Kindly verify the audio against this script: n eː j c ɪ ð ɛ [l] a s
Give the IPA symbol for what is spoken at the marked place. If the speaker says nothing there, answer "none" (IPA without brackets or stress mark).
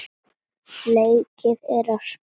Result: ɾ